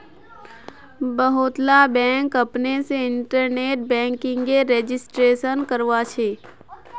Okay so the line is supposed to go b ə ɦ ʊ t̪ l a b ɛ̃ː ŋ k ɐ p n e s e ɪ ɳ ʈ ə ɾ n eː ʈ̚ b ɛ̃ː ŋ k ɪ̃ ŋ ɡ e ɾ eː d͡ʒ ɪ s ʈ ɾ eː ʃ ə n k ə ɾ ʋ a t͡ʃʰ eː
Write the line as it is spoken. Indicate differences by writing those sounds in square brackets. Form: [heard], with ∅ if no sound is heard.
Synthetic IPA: b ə ɦ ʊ t̪ l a b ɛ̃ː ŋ k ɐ p n e s e ɪ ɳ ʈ ə ɾ n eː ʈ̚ b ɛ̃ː ŋ k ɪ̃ ŋ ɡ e ɾ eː d͡ʒ ɪ s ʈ ɾ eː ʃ ə n k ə ɾ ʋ a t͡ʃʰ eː